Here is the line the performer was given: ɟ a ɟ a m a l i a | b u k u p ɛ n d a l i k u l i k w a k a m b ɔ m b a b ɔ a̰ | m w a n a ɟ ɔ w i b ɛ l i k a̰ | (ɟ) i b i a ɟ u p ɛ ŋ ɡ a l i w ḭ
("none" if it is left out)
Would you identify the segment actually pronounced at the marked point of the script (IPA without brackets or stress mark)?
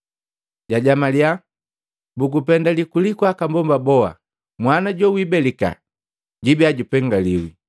ɟ